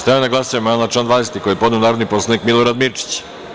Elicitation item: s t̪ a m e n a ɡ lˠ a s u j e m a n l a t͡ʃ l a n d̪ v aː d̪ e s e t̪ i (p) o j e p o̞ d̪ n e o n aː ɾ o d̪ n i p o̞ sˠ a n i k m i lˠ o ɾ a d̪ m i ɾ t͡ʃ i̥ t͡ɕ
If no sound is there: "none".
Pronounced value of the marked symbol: k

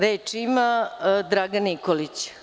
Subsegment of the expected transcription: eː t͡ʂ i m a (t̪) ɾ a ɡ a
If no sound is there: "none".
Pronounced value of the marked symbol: d̪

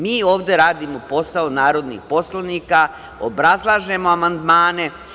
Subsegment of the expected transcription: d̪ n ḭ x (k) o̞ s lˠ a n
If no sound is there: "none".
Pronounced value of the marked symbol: p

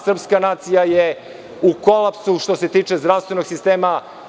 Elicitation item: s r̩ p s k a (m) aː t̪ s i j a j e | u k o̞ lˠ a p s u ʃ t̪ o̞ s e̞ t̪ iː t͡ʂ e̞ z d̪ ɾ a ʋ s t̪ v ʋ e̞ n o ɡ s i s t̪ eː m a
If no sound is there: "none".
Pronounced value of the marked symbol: n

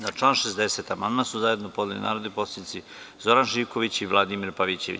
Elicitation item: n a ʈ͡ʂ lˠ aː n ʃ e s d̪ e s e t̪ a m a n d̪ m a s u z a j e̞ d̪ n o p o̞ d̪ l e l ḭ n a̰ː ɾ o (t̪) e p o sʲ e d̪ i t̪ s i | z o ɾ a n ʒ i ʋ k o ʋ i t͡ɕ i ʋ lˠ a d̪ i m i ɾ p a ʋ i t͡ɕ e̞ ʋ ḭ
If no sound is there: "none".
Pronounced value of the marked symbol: d̪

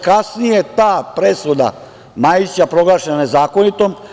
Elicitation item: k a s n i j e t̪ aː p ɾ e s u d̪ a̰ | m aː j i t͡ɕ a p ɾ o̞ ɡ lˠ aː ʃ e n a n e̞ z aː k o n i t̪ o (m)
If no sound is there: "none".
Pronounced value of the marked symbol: m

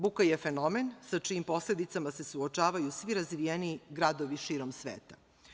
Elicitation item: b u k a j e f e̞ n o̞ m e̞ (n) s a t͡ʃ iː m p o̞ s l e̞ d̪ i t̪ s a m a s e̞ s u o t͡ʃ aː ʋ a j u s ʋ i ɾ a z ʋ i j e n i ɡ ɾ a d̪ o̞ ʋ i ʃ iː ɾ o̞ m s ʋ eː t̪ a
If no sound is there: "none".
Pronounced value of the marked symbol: n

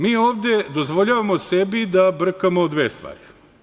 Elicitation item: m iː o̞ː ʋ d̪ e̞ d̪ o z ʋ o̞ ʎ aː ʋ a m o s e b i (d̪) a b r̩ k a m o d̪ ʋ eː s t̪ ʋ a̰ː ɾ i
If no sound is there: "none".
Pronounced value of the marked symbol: d̪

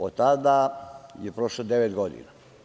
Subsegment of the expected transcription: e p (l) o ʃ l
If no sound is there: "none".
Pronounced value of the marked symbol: ɾ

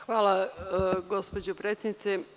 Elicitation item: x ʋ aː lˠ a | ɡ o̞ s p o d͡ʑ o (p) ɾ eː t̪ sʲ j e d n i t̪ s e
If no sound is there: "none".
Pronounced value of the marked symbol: p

